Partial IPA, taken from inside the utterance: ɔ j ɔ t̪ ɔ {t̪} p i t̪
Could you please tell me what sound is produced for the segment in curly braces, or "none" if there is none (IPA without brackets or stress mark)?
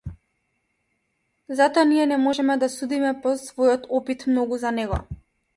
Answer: none